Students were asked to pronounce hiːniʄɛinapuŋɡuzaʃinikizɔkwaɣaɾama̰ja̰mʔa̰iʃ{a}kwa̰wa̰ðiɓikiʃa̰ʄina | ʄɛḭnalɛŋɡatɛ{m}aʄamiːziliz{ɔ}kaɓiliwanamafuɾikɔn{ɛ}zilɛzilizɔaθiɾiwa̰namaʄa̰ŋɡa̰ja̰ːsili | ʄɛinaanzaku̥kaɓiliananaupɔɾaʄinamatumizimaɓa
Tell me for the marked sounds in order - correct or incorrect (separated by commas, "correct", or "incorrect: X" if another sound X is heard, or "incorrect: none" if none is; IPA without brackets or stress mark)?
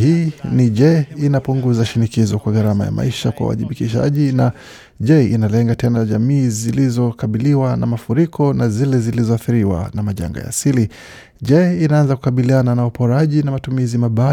correct, incorrect: n, correct, incorrect: a